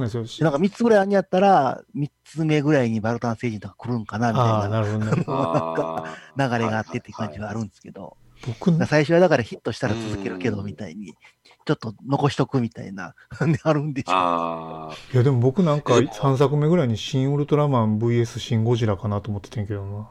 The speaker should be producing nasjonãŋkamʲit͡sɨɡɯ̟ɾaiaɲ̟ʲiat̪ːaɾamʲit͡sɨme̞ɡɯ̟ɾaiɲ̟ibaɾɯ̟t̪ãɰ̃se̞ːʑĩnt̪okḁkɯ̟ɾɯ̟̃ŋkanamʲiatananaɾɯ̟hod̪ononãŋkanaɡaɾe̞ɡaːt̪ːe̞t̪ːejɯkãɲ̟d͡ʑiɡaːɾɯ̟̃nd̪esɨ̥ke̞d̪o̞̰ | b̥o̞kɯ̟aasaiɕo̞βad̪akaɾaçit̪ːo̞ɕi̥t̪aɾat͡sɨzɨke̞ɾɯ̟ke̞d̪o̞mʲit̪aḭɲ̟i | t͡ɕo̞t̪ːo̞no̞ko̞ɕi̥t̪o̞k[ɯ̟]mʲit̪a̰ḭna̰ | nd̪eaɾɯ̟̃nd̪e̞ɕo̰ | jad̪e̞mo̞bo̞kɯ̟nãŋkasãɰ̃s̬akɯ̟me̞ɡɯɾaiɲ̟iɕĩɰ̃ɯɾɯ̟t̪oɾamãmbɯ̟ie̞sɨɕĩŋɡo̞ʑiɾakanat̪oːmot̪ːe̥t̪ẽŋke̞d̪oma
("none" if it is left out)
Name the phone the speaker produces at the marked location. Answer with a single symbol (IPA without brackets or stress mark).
ɯ̟